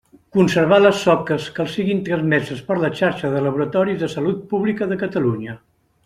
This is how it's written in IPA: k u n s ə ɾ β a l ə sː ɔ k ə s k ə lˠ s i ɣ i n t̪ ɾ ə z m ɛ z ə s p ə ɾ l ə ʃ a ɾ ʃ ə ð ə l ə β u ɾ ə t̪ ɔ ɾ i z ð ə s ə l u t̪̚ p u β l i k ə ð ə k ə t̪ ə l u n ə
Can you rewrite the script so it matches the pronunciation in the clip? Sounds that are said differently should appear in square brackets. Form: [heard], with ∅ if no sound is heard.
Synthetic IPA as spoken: k u n s ə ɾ β a l ə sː ɔ k ə s k ə lˠ s i ɣ i n t̪ ɾ ə z m ɛ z ə s p ə ɾ l ə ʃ a ɾ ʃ ə ð ə l ə β u ɾ ə t̪ ɔ ɾ i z ð ə s ə l u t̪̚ p u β l i k ə ð ə k ə t̪ ə l u [ɲ] ə